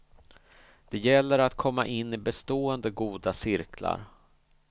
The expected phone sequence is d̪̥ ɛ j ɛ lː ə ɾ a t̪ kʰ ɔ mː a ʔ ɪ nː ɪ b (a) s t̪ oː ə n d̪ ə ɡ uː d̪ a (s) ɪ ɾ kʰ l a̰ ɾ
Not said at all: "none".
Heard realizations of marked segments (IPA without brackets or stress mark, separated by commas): ɛ, s